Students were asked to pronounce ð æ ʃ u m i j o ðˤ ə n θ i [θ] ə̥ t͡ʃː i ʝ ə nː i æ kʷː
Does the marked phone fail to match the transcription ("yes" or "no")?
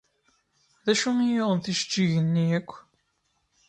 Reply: yes